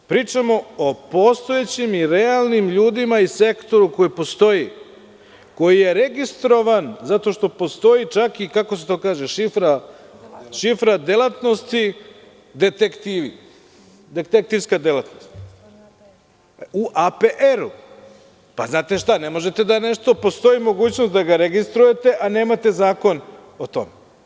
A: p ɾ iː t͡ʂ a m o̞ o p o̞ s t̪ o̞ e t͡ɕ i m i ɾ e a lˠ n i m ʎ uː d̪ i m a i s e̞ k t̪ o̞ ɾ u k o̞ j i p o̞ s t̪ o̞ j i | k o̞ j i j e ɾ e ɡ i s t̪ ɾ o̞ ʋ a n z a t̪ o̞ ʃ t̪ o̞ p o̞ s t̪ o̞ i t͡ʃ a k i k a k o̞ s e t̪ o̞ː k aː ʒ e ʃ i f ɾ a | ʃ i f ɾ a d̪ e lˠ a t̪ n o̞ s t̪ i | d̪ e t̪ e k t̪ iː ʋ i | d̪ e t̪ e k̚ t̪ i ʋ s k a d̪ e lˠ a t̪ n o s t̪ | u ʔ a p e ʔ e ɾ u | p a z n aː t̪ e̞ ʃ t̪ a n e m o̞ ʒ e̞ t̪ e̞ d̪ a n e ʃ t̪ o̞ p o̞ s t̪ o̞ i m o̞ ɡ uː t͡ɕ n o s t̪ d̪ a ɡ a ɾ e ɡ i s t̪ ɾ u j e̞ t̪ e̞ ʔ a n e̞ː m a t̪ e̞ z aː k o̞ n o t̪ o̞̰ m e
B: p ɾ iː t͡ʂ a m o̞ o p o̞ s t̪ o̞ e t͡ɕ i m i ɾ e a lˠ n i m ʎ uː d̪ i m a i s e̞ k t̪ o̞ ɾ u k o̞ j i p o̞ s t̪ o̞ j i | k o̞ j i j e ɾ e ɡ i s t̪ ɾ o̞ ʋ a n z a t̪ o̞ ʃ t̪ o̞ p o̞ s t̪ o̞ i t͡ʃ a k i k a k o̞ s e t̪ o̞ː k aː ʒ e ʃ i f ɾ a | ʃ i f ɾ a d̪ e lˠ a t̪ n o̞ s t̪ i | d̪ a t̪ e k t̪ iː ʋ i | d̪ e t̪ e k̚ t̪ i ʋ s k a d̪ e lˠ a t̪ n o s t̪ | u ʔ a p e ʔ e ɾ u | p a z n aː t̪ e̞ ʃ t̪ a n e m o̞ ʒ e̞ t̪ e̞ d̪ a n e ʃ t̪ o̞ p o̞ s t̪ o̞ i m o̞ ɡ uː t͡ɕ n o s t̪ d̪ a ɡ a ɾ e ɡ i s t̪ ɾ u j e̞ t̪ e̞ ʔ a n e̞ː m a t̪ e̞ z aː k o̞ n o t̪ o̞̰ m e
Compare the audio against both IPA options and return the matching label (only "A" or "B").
A